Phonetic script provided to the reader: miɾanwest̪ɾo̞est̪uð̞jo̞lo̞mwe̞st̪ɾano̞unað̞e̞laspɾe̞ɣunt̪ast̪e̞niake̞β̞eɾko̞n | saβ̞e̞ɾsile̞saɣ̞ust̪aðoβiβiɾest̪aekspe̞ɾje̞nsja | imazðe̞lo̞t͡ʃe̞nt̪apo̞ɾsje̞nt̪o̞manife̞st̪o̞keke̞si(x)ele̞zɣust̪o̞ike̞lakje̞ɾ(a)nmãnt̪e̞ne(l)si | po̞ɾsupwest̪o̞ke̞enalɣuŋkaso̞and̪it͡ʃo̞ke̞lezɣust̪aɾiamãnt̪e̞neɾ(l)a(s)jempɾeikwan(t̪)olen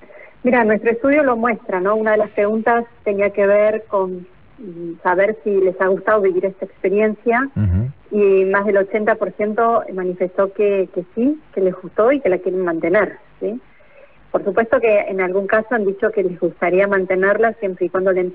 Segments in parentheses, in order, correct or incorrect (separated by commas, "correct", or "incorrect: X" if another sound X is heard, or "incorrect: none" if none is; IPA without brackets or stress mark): incorrect: k, incorrect: e, incorrect: ɾ, correct, correct, incorrect: d̪